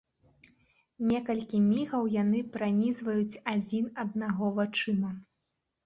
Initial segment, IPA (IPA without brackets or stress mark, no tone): nʲ